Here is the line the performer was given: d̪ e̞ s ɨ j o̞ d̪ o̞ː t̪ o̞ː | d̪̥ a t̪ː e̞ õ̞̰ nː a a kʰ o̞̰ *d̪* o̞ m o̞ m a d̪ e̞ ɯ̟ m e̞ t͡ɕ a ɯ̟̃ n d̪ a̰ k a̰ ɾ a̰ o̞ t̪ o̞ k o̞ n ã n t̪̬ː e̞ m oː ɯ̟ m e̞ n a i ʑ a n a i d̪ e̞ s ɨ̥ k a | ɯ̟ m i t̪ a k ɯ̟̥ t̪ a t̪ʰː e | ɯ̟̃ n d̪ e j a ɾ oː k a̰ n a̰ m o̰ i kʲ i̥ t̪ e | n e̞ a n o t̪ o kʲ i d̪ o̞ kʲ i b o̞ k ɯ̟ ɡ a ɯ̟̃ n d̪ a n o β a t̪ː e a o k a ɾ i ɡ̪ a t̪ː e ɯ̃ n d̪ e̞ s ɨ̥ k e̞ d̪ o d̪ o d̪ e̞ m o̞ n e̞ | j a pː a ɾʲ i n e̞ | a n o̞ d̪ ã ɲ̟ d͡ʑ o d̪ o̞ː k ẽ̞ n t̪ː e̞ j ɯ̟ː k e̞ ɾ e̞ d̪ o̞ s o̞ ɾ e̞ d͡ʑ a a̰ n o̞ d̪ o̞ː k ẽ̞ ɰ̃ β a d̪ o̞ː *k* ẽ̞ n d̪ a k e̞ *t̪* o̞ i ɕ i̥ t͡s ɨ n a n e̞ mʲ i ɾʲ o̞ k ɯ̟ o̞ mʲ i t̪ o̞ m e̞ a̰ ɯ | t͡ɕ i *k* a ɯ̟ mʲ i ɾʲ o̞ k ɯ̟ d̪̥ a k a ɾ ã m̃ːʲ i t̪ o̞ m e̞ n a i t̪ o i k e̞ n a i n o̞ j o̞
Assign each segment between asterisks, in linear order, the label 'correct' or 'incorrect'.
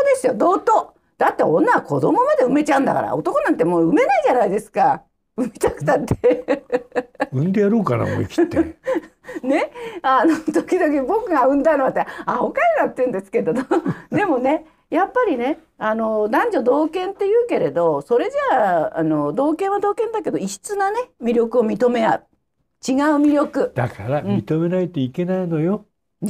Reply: correct, correct, incorrect, incorrect

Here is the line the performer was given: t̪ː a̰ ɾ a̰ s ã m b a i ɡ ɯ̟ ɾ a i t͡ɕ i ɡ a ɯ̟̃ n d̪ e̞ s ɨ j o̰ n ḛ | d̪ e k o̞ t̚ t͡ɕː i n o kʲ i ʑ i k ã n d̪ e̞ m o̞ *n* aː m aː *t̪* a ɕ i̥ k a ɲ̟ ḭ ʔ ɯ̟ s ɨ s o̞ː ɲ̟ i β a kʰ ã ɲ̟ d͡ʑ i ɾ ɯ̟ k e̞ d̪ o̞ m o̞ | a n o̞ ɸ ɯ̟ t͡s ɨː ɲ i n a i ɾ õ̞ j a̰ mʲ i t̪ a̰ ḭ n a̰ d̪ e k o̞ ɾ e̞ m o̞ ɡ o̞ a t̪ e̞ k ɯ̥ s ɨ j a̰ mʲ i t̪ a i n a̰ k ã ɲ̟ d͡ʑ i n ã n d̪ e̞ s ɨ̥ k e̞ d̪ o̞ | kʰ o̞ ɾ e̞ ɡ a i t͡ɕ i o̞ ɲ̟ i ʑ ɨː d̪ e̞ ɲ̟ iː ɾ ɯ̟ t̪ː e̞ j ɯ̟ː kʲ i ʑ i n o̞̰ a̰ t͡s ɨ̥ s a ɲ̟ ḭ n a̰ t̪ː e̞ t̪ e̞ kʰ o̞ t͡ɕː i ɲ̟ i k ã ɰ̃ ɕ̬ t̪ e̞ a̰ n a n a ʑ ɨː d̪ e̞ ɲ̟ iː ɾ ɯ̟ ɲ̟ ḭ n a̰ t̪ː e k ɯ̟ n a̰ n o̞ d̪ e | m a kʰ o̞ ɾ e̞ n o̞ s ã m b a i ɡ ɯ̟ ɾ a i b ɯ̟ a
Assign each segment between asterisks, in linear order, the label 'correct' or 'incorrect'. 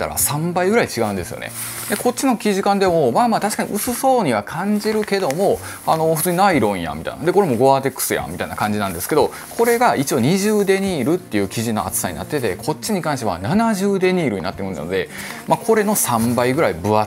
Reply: incorrect, correct

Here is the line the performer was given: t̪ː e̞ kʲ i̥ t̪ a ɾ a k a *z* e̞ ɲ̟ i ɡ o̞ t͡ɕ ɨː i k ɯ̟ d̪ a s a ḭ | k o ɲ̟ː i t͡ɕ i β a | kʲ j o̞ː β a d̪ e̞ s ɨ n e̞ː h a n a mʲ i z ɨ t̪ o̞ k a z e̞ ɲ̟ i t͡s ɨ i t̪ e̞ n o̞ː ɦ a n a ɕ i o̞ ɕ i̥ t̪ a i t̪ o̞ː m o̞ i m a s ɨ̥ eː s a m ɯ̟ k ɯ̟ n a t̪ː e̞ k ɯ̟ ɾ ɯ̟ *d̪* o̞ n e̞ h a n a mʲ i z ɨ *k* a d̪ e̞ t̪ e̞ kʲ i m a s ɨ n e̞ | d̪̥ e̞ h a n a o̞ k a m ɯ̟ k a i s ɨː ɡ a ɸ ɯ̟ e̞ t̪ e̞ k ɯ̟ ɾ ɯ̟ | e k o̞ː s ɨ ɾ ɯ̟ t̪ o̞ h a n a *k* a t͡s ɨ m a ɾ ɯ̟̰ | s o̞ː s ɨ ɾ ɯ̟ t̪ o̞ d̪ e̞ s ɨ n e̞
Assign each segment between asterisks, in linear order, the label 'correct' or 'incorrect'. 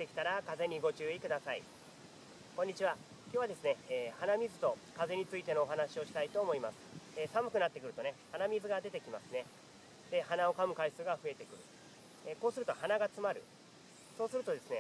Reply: correct, incorrect, incorrect, incorrect

